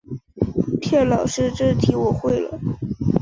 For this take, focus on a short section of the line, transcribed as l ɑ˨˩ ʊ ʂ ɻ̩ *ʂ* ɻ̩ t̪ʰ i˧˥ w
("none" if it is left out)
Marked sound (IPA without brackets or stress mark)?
ʈ͡ʂ